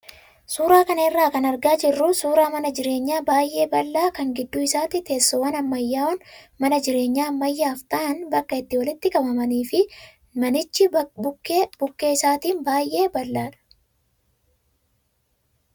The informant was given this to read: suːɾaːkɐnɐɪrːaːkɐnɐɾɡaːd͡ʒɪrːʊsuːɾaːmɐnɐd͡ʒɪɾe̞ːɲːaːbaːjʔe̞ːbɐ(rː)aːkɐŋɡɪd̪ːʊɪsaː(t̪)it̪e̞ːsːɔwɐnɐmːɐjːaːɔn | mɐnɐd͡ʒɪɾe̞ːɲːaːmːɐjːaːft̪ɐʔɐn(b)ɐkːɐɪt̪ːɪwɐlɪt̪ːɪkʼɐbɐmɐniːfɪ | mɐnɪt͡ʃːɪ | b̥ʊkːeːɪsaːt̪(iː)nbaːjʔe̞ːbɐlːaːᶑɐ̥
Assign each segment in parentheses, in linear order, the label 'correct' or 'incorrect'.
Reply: incorrect, correct, correct, correct

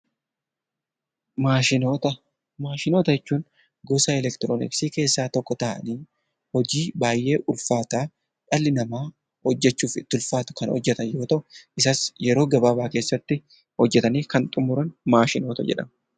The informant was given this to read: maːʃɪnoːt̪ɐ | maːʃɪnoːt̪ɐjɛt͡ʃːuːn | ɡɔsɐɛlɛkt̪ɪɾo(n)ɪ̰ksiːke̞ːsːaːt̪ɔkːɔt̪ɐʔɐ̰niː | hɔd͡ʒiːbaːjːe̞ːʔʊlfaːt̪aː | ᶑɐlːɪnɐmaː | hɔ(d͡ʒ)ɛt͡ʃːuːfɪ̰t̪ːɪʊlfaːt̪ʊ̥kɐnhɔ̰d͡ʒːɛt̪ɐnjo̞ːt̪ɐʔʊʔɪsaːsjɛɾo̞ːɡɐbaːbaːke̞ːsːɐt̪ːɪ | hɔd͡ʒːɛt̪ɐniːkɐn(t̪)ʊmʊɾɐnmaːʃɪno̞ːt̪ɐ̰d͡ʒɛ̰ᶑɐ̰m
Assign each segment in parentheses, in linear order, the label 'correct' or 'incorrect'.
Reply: correct, incorrect, incorrect

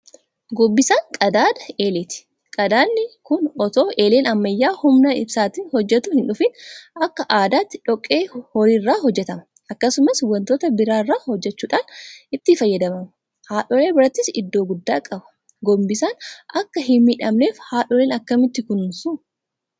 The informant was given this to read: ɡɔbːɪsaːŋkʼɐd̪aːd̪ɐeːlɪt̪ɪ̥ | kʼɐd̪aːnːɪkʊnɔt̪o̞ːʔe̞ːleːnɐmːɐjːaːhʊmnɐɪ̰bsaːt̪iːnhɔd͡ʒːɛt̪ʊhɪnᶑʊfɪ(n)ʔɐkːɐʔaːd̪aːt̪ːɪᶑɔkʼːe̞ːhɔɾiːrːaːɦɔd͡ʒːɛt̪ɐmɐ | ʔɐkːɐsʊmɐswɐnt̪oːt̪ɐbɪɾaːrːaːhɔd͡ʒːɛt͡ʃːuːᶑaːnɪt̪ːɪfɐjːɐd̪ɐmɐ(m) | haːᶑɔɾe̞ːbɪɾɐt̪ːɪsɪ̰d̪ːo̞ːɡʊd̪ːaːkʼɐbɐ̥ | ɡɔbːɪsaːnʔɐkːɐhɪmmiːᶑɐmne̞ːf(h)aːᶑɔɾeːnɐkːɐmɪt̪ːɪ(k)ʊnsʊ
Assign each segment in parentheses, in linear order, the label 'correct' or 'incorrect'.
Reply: correct, correct, correct, correct

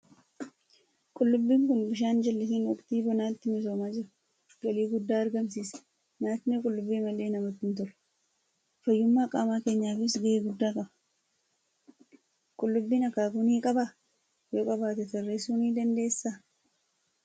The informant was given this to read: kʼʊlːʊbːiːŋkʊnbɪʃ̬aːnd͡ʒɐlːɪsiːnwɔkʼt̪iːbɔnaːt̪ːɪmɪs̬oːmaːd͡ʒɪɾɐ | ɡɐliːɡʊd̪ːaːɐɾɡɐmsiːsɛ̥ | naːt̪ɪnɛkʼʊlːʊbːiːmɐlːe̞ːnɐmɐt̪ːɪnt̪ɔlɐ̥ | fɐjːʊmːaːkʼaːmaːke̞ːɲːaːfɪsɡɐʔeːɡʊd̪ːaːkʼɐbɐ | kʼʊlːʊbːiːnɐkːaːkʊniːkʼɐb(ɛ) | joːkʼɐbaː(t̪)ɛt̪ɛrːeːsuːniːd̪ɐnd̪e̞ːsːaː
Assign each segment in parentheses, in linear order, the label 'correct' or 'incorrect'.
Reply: incorrect, correct

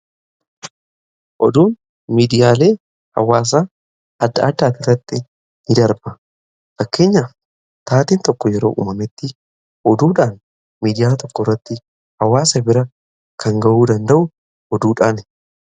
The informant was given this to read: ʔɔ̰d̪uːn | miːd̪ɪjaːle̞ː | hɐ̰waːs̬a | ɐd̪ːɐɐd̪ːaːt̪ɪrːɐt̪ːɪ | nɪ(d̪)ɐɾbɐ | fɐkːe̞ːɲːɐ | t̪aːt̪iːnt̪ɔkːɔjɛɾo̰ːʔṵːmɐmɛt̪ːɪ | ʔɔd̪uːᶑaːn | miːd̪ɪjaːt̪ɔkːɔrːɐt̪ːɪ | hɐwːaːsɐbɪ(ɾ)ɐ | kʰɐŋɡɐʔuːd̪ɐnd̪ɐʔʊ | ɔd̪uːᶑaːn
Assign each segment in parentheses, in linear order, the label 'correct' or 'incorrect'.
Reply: correct, correct

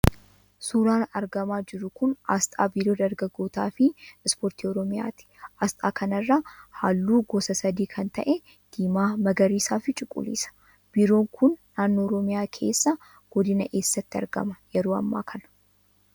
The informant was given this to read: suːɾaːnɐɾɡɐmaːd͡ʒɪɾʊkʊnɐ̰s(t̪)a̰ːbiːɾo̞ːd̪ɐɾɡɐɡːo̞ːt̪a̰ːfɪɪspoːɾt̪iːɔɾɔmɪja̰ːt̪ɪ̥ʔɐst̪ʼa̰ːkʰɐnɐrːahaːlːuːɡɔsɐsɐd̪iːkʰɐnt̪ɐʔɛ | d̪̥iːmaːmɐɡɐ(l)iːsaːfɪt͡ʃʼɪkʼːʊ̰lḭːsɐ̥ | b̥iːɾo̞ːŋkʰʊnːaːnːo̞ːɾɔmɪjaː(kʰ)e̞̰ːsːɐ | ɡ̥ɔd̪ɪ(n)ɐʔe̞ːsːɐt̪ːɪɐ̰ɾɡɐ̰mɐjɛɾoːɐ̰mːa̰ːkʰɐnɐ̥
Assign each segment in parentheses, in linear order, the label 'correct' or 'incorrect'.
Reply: incorrect, incorrect, correct, correct

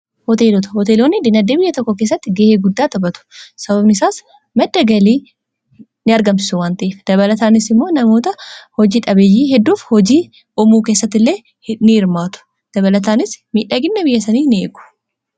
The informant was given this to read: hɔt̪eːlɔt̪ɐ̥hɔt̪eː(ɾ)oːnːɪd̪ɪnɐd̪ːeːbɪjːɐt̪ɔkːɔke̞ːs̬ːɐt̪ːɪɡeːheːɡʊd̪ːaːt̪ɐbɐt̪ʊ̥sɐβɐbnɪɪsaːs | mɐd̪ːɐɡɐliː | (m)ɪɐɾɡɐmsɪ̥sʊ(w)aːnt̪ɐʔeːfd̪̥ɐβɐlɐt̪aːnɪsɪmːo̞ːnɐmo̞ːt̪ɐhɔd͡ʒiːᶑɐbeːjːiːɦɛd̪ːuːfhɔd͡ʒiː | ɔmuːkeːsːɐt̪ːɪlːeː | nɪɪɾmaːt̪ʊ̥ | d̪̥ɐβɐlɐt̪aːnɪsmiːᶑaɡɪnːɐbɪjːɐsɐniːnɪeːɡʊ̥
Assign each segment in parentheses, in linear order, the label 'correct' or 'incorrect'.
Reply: incorrect, incorrect, correct

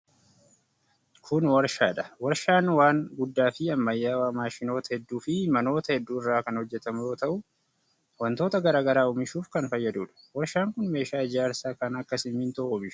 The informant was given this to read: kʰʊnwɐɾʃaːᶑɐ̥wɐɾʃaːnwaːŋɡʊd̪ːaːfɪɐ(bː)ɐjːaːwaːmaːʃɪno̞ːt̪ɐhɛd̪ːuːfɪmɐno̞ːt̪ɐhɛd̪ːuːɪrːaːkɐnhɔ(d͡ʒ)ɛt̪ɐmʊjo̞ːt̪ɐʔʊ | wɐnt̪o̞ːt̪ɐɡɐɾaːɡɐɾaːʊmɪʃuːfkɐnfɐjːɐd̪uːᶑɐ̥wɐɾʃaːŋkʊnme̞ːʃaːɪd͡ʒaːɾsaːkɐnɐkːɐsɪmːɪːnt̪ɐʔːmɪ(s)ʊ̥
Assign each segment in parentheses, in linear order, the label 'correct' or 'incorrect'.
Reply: incorrect, incorrect, incorrect

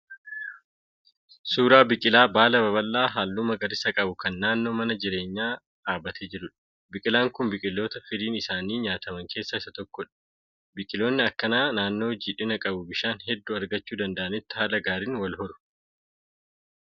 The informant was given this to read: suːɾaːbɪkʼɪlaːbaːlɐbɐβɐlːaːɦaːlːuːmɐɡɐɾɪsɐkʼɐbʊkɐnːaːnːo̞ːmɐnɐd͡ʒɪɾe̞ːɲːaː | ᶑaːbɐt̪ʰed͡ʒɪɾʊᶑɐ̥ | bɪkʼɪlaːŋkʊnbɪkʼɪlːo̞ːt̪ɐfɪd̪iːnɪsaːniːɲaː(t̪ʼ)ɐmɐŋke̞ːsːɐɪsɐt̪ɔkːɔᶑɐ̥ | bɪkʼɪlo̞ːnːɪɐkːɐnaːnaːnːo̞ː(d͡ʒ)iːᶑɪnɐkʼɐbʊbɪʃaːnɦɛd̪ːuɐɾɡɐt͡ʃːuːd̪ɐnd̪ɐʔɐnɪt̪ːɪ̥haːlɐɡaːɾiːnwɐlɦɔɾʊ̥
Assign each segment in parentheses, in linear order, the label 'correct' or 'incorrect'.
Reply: incorrect, correct

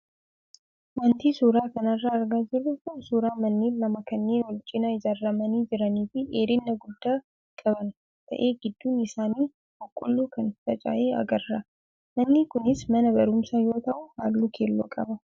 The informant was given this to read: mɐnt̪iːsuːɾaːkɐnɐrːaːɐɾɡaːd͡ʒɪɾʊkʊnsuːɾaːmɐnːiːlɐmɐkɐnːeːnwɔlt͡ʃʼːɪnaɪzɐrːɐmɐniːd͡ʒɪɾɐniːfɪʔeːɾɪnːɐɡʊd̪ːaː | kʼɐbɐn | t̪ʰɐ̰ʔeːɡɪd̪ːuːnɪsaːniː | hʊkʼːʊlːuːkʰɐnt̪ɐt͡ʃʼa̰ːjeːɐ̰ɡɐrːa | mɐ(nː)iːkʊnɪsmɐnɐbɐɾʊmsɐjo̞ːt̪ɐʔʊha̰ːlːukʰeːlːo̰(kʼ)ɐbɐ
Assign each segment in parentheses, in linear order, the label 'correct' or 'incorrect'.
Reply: correct, correct

